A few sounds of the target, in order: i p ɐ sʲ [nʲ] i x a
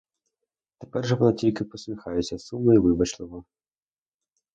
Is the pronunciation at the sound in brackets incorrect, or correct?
incorrect